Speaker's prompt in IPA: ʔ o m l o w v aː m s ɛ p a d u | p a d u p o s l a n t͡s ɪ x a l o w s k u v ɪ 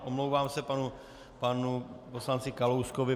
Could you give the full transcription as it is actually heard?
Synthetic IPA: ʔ o m l o w v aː m s ɛ p a n u | p a n u p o s l a n t͡s ɪ k a l o w s k o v ɪ